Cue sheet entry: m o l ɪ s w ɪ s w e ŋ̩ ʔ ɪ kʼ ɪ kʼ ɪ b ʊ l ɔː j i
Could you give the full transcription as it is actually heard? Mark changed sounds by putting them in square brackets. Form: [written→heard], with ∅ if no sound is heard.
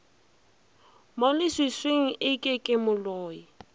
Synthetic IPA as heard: m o l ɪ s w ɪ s w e ŋ̩ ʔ ɪ kʼ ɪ kʼ ɪ [b→m] ʊ l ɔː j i